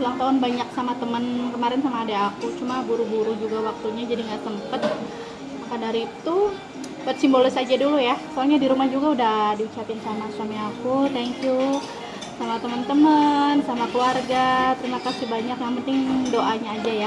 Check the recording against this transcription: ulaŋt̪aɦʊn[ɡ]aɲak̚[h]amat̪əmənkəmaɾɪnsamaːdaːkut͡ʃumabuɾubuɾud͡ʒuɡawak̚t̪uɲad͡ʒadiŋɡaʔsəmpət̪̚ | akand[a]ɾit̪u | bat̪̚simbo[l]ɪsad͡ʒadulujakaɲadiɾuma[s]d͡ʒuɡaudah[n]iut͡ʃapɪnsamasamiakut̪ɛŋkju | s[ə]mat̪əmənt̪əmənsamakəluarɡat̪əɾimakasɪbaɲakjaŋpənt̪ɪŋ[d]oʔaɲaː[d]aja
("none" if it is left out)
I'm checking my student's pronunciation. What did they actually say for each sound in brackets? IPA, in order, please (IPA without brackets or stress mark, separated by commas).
b, s, a, l, h, d, a, d, d͡ʒ